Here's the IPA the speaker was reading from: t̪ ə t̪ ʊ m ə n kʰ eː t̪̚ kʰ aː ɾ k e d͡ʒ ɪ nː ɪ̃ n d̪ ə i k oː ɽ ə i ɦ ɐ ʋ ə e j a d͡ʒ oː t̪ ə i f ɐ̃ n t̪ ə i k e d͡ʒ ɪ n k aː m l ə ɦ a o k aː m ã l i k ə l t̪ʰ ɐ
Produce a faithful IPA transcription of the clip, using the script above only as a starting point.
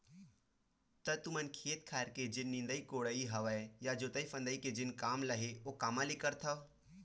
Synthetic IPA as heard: t̪ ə t̪ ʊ m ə n kʰ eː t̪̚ kʰ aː ɾ k e d͡ʒ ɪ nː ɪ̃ n d̪ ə i k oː ɽ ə i ɦ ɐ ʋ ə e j a d͡ʒ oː t̪ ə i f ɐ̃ n d̪ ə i k e d͡ʒ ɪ n k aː m l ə ɦ e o k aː m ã l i k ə ɾ t̪ʰ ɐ